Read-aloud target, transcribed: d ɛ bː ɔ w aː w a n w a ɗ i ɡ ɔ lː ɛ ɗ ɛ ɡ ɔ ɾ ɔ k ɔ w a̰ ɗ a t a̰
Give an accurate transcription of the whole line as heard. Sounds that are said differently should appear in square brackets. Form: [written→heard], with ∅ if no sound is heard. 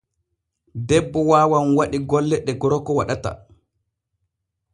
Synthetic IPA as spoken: d ɛ bː ɔ w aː w a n w a ɗ i ɡ ɔ lː ɛ ɗ ɛ ɡ ɔ ɾ ɔ k ɔ w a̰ ɗ a t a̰